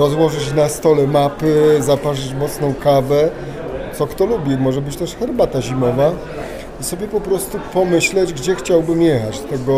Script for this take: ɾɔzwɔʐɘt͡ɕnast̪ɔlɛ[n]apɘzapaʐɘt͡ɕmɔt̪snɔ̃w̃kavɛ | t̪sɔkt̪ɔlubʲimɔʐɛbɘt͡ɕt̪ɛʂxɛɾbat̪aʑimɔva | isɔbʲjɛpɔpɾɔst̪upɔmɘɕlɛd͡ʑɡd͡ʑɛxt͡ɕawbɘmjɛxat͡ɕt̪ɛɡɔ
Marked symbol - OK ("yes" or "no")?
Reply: no